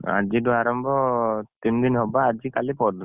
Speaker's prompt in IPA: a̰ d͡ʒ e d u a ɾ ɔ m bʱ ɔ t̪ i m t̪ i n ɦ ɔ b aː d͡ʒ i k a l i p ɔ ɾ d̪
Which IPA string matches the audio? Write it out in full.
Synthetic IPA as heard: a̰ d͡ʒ i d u a ɾ ɔ m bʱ ɔ t̪ i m d̪ i n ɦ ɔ b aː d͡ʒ i k a l i p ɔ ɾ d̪